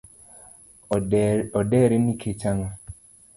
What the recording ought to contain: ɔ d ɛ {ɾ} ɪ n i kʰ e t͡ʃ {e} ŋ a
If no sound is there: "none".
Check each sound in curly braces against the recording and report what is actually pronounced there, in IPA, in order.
ɾ, a

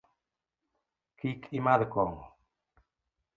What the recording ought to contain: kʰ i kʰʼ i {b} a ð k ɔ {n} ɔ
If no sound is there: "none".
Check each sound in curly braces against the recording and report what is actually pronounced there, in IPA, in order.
m, ŋ

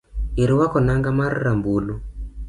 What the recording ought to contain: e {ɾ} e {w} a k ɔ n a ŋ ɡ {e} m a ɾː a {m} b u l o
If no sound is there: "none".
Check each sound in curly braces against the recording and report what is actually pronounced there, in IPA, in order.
ɾ, w, a, m

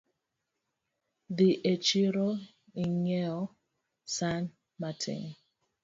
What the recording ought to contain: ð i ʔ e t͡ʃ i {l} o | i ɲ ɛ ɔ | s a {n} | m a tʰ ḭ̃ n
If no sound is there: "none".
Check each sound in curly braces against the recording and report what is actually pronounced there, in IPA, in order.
ɾ, n

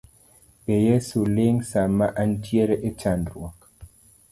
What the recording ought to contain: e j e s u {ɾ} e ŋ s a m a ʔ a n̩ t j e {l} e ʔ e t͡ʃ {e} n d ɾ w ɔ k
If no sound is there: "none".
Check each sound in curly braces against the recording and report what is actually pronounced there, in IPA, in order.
l, ɾ, a

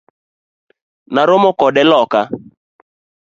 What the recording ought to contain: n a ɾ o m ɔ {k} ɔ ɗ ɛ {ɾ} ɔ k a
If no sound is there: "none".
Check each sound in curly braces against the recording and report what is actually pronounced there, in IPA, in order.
k, l

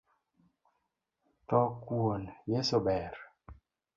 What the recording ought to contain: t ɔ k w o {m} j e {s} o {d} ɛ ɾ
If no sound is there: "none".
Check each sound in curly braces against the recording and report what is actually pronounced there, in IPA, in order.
n, s, b

